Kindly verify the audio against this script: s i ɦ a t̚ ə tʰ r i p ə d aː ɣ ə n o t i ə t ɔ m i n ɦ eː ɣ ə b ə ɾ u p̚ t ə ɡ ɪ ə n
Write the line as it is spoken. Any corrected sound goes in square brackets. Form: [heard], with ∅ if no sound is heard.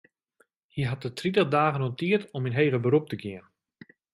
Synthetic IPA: [h] i ɦ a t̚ ə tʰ r i [t] ə d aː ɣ ə n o t i ə t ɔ m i n ɦ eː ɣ ə b ə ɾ u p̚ t ə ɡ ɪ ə n